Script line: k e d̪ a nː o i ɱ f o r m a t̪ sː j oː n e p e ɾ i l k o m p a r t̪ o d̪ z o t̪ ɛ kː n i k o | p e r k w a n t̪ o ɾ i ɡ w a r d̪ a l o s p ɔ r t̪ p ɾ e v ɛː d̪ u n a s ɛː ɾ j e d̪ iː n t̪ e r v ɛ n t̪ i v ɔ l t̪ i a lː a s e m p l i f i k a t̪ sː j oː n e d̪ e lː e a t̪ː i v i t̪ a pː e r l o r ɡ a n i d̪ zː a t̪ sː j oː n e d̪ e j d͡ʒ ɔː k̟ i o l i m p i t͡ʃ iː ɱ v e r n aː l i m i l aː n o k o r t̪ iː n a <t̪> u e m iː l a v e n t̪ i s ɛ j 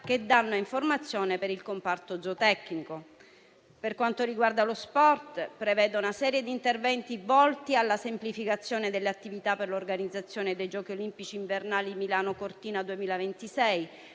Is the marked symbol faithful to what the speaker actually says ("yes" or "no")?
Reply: no